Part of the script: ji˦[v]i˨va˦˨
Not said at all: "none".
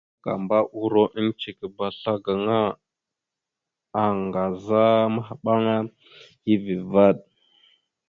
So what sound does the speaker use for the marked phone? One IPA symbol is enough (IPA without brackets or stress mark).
v